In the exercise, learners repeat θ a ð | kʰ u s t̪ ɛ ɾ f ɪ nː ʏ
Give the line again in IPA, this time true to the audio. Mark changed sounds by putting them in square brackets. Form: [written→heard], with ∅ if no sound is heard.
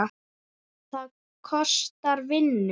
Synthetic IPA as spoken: θ a ð | kʰ [u→ɔ] s t̪ [ɛ→a] ɾ [f→v] ɪ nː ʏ